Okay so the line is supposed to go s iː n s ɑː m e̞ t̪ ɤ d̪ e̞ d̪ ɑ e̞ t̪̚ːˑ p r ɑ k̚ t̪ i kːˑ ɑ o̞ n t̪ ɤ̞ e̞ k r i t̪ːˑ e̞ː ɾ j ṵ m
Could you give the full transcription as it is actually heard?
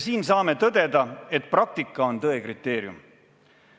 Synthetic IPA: s iː n s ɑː m e̞ t̪ ɤ d̪ e̞ d̪ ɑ e̞ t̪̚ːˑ p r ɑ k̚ t̪ i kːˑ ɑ o̞ n t̪ ɤ̞ e̞ k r i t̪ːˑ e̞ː ɾ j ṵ m